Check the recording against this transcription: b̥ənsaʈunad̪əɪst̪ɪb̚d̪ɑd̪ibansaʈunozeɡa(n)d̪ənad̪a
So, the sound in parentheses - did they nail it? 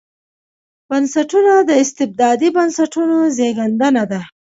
yes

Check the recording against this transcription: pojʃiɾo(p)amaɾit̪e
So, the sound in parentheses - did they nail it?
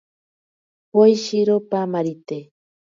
yes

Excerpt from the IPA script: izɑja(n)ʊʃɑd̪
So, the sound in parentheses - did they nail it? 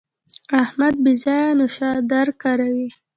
yes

